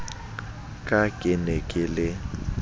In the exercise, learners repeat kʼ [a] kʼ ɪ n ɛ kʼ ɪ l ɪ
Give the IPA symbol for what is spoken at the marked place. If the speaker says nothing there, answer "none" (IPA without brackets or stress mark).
a